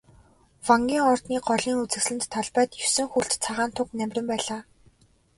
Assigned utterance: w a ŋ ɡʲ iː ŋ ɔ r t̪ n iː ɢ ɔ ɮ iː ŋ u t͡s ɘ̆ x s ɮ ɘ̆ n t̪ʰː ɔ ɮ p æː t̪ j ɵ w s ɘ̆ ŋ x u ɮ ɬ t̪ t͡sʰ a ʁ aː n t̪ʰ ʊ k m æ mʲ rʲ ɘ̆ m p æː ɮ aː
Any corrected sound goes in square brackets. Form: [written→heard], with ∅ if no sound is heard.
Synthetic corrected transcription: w a ŋ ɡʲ iː ŋ ɔ r t̪ n iː ɢ ɔ ɮ iː ŋ u t͡s ɘ̆ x s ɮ ɘ̆ n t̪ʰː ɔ ɮ p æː t̪ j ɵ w s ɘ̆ ŋ x u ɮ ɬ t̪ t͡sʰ a ʁ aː n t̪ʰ ʊ k [m→n] æ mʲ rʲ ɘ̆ m p æː ɮ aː

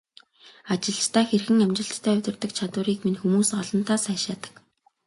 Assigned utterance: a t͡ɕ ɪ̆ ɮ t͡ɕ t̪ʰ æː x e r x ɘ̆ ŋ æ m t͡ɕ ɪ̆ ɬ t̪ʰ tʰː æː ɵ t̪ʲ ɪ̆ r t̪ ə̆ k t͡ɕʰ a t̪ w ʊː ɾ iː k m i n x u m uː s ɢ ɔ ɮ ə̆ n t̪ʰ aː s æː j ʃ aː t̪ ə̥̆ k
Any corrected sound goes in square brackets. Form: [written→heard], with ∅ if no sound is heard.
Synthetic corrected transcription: a t͡ɕ ɪ̆ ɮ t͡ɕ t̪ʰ æː x e r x ɘ̆ ŋ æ m t͡ɕ ɪ̆ ɬ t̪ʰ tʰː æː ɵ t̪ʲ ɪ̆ r t̪ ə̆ k t͡ɕʰ a t̪ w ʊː ɾ iː k m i n x u m uː s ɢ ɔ ɮ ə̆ n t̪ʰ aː s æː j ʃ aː t̪ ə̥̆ k

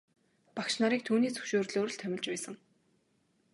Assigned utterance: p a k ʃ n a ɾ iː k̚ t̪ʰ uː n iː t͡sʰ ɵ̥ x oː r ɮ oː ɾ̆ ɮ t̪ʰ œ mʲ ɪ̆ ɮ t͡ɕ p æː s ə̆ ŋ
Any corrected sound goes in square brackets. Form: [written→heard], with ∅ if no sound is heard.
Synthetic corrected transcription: p a k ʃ n a ɾ iː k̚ t̪ʰ uː n iː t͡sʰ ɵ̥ [x→ʃ] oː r ɮ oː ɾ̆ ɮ t̪ʰ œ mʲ ɪ̆ ɮ t͡ɕ p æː s ə̆ ŋ

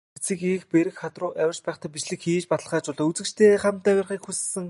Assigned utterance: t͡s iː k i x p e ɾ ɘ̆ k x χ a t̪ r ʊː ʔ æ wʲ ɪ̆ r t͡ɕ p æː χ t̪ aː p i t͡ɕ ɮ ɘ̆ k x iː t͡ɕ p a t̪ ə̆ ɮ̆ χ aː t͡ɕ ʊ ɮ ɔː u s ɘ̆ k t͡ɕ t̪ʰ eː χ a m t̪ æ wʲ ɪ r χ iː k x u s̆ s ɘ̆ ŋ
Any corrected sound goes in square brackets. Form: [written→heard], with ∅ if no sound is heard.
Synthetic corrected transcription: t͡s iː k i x p e ɾ ɘ̆ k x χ a t̪ r ʊː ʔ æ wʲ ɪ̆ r t͡ɕ p æː χ t̪ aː p i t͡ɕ ɮ ɘ̆ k x iː t͡ɕ p a t̪ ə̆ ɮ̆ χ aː t͡ɕ ʊ ɮ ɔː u [s→t͡s] ɘ̆ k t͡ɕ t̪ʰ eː χ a m t̪ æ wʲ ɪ r χ iː k x u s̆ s ɘ̆ ŋ

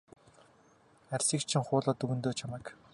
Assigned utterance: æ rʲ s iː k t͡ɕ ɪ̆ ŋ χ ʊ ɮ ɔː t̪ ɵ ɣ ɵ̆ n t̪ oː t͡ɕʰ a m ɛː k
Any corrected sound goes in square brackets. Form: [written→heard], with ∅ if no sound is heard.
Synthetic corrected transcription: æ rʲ s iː k [t͡ɕ→t͡ɕʰ] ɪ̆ ŋ χ [ʊ→ʊː] ɮ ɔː t̪ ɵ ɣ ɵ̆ n t̪ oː t͡ɕʰ a m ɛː k

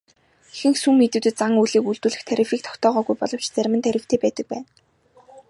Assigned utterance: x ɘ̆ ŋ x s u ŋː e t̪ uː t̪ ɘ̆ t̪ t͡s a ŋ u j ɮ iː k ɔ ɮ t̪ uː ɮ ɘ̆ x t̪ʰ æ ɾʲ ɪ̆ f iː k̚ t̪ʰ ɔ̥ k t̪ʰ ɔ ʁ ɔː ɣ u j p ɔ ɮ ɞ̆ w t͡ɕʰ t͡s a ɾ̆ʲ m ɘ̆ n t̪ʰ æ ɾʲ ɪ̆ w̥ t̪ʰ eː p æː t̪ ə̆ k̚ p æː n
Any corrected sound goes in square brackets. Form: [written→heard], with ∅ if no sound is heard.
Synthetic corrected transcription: x ɘ̆ ŋ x s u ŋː e t̪ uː t̪ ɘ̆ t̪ t͡s a ŋ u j ɮ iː k [ɔ→u] ɮ t̪ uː ɮ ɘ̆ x t̪ʰ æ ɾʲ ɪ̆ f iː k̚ t̪ʰ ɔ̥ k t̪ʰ [ɔ→ɔː] ʁ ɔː ɣ u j p ɔ ɮ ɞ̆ w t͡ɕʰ t͡s [a→æ] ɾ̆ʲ m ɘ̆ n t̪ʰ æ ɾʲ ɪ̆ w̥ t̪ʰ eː p æː t̪ ə̆ k̚ p æː n

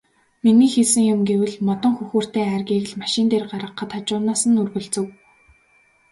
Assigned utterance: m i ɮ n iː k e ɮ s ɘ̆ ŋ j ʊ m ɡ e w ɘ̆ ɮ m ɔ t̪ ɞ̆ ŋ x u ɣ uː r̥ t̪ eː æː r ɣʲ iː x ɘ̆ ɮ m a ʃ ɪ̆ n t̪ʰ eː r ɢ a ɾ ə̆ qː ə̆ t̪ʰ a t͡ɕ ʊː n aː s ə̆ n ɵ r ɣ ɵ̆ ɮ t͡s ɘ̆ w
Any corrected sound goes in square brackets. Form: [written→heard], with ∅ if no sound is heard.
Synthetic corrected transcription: m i [ɮ→∅] n iː [k→x] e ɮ s ɘ̆ ŋ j ʊ m ɡ e w ɘ̆ ɮ m ɔ t̪ ɞ̆ ŋ x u [ɣ→x] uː r̥ t̪ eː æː r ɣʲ iː [x→ɣ] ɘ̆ ɮ m a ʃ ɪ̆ n [t̪ʰ→t̪] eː r ɢ a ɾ ə̆ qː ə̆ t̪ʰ a t͡ɕ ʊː n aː s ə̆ n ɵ r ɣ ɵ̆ ɮ t͡s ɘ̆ w

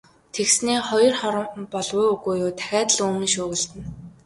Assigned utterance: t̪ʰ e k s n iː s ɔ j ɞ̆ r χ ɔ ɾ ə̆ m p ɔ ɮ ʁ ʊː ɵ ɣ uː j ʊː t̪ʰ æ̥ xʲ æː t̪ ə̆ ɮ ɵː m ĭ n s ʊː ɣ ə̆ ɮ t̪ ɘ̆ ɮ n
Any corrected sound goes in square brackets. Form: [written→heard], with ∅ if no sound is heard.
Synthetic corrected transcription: t̪ʰ e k s n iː [s→χ] ɔ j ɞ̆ r χ ɔ ɾ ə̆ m p ɔ ɮ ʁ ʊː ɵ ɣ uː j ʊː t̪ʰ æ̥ xʲ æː t̪ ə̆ ɮ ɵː m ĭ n [s→ʃ] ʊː ɣ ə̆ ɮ t̪ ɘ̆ [ɮ→∅] n

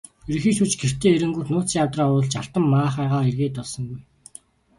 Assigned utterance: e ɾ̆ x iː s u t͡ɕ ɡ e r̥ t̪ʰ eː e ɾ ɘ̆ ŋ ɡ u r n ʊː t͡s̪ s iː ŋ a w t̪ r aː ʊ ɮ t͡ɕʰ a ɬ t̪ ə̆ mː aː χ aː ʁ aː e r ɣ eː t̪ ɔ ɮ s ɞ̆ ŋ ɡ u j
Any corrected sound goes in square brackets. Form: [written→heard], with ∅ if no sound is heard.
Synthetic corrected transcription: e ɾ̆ x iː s u t͡ɕ ɡ e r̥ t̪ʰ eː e ɾ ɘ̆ ŋ ɡ u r n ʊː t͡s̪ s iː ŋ a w t̪ r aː ʊ ɮ [t͡ɕʰ→t͡ɕ] a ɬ t̪ ə̆ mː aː χ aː ʁ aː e r ɣ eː t̪ ɔ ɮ s ɞ̆ ŋ ɡ u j

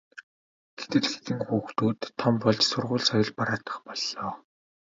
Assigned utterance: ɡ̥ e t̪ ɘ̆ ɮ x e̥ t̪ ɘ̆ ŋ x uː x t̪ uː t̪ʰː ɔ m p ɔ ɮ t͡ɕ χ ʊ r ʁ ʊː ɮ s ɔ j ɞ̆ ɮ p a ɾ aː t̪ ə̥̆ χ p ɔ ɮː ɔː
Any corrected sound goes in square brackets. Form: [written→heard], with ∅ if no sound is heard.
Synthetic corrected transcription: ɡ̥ e t̪ ɘ̆ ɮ x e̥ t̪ ɘ̆ ŋ x uː x t̪ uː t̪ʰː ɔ m p ɔ ɮ t͡ɕ [χ→s] ʊ r ʁ ʊː ɮ s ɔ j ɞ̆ ɮ p a ɾ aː t̪ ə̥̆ χ p ɔ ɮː ɔː

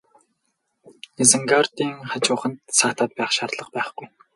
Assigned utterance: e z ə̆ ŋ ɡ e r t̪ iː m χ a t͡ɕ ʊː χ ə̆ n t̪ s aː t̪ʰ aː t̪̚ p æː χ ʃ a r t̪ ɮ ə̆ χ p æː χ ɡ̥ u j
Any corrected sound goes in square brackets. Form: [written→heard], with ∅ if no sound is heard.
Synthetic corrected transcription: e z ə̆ ŋ ɡ [e→a] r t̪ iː [m→ŋ] χ a t͡ɕ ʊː χ ə̆ n t̪ s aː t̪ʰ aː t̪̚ p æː χ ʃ a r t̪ ɮ ə̆ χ p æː χ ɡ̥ u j

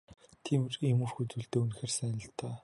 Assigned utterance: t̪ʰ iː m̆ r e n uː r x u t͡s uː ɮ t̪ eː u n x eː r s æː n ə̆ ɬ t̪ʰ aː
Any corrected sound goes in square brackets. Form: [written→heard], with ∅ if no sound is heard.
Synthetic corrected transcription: t̪ʰ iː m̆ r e [n→m] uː r x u t͡s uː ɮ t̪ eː u n x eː r s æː n ə̆ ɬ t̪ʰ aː

